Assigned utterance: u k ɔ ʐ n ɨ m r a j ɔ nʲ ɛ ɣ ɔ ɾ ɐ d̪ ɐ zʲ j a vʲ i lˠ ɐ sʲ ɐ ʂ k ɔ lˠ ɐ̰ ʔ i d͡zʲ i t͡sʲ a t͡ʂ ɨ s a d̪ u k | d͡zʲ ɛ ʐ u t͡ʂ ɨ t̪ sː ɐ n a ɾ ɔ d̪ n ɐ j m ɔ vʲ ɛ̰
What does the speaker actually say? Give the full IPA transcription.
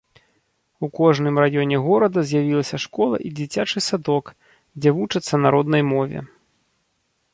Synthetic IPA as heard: u k ɔ ʐ n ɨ m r a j ɔ nʲ ɛ ɣ ɔ ɾ ɐ d̪ ɐ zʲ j a vʲ i lˠ ɐ sʲ ɐ ʂ k ɔ lˠ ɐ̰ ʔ i d͡zʲ i t͡sʲ a t͡ʂ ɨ s a d̪ ɔ k | d͡zʲ ɛ v u t͡ʂ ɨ t̪ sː ɐ n a ɾ ɔ d̪ n ɐ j m ɔ vʲ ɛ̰